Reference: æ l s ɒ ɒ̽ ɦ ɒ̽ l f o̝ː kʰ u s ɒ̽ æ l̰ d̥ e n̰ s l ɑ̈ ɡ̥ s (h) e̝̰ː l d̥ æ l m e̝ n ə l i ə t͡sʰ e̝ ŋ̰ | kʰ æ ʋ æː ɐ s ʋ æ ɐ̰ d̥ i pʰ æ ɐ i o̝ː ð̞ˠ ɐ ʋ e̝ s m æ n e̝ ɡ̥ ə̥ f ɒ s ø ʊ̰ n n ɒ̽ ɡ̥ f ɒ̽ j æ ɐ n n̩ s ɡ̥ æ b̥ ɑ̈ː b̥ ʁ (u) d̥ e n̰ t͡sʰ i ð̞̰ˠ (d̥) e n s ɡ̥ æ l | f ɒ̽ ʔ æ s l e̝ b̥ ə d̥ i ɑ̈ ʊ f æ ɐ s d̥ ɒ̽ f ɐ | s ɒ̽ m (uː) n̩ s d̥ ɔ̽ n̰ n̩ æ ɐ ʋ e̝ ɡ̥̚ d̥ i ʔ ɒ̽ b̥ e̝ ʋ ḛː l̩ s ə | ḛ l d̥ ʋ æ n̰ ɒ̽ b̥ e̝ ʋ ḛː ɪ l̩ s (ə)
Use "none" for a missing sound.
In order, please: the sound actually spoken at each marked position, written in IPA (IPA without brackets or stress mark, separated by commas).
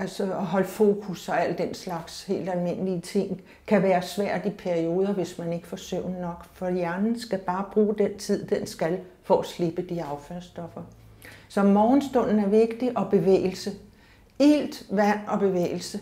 h, uː, d̥, ɒː, ə